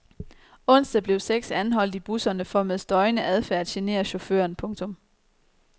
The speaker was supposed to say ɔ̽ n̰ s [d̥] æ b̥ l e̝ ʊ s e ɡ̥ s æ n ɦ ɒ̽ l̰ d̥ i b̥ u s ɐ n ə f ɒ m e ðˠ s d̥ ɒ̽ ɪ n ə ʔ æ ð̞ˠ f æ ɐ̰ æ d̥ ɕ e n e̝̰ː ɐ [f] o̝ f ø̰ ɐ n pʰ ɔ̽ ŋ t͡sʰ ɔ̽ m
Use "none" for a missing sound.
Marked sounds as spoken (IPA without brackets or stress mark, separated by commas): d̥, ɕ